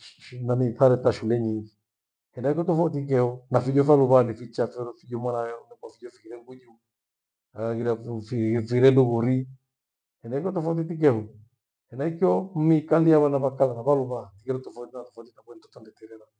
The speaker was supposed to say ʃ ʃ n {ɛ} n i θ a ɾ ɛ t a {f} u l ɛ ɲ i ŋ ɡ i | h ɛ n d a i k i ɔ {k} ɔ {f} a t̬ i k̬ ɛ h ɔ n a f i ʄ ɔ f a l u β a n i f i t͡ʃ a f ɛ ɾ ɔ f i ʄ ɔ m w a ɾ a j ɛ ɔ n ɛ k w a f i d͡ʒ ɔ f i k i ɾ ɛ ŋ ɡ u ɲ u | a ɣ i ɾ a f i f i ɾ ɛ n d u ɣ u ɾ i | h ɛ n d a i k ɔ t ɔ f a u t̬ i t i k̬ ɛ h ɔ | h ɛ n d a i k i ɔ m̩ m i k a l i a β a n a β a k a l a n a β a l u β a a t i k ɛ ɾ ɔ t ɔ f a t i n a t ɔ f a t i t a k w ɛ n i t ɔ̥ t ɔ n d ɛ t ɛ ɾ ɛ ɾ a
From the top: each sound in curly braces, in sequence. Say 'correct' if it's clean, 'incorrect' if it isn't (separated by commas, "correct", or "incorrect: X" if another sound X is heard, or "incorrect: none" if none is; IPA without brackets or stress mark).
incorrect: a, incorrect: ʃ, incorrect: t, correct